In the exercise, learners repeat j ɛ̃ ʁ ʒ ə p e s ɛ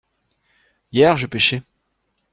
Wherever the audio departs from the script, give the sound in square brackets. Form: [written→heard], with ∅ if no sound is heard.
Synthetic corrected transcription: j [ɛ̃→ɛ] ʁ ʒ ə p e [s→ʃ] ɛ